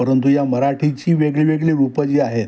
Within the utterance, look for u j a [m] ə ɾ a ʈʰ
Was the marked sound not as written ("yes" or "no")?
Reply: no